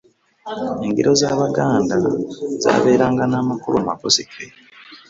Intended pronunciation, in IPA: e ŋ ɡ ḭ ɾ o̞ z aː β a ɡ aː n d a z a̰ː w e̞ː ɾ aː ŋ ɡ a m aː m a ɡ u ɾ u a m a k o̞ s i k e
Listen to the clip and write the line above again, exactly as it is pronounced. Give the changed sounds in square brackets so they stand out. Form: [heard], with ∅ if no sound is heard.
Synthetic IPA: e ŋ ɡ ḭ ɾ o̞ z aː β a ɡ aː n d a z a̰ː [β] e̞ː ɾ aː ŋ ɡ a [n] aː m a [k] u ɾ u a m a k o̞ s i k e

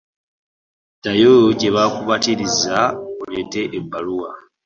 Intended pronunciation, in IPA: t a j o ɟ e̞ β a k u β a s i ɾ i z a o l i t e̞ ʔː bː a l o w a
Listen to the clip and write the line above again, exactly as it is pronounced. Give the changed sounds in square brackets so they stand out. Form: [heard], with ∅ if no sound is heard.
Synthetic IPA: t a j o ɟ e̞ β a k u β a [t] i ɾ i z a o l [e] t e̞ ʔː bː a l [u] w a

